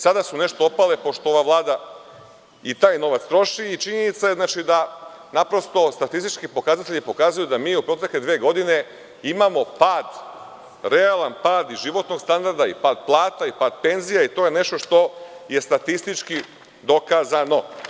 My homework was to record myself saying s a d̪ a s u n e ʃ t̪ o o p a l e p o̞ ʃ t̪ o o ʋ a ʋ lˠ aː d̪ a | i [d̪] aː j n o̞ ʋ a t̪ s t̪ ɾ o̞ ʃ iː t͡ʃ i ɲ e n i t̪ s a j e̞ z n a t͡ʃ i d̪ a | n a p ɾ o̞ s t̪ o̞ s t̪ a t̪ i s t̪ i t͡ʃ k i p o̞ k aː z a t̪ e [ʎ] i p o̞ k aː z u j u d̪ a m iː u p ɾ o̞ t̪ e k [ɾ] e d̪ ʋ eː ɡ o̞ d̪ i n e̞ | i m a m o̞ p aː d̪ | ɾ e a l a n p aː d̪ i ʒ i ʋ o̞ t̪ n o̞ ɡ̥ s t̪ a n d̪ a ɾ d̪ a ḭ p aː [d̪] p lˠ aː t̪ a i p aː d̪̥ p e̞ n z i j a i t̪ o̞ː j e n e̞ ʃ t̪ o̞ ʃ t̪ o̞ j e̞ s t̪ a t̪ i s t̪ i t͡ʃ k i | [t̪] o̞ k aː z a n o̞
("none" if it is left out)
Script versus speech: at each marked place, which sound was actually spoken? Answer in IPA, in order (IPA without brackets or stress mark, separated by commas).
t̪, ʎ, l, d̪, d̪